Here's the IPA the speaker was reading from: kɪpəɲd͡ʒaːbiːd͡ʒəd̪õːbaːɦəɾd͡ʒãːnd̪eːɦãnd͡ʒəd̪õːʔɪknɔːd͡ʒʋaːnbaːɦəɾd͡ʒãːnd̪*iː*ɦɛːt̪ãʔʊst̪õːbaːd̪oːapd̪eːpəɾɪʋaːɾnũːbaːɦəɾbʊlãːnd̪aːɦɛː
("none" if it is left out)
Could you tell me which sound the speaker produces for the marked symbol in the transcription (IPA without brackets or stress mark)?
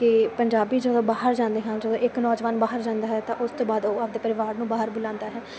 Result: aː